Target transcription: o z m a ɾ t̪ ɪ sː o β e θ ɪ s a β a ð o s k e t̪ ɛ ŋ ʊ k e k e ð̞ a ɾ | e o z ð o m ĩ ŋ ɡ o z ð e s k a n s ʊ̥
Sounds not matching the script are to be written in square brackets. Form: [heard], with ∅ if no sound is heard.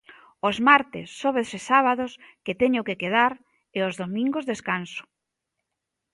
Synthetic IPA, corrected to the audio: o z m a ɾ t̪ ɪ sː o β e [s] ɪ s a β a ð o s k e t̪ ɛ [ɲ] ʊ k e k e ð̞ a ɾ | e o z ð o m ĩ ŋ ɡ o z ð e s k a n s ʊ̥